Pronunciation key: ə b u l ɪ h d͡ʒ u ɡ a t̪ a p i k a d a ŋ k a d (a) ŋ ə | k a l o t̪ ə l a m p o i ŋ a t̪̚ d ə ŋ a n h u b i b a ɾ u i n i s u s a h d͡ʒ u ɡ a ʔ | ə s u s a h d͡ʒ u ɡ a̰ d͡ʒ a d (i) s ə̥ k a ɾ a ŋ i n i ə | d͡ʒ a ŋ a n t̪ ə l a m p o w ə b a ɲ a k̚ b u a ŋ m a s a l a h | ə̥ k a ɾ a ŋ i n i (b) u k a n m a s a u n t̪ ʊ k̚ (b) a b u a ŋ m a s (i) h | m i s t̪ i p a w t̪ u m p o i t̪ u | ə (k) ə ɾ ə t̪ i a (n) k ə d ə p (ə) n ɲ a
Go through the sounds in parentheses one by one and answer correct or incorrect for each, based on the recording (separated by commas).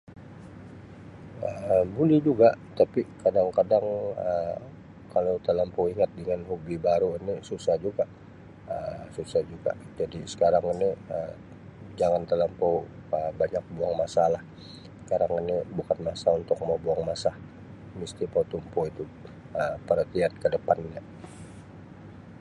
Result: correct, correct, correct, incorrect, incorrect, incorrect, correct, incorrect